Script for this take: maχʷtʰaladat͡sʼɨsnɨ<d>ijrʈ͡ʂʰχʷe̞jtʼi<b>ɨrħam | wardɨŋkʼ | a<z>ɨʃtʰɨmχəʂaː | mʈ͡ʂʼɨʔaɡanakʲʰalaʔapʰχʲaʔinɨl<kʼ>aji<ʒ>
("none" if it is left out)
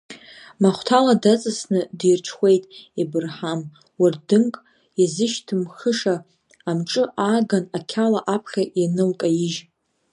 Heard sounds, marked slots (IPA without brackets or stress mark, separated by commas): d, b, z, kʼ, ʒ